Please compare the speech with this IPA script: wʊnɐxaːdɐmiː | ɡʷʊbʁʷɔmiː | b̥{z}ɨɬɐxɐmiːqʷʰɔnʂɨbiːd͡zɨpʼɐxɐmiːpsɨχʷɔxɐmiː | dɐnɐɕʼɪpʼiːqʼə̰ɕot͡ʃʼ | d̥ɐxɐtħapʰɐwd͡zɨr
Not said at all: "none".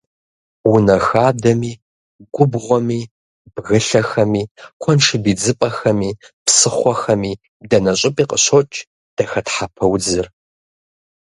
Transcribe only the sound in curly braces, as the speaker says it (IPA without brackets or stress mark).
ɣ